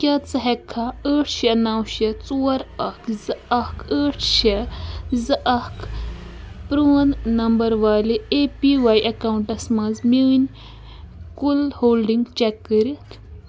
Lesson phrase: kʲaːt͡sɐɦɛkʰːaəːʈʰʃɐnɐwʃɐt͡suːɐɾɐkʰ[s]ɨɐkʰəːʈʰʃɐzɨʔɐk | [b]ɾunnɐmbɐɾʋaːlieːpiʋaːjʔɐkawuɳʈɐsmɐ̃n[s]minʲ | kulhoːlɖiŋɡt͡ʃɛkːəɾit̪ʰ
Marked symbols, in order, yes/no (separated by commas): no, no, no